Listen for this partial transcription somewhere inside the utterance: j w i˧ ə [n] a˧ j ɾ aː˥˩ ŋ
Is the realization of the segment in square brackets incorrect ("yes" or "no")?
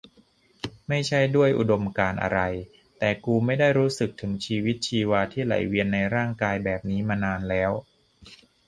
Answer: yes